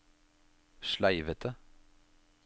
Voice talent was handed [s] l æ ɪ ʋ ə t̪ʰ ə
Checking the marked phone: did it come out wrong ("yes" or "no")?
yes